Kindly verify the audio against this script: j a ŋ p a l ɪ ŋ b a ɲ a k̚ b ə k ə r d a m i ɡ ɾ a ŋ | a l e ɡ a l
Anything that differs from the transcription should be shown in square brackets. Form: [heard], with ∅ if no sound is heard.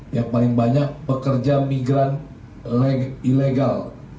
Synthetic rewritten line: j a ŋ p a l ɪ ŋ b a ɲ a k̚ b ə k ə r [d͡ʒ] a m i ɡ ɾ a [n] | [i] l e ɡ a l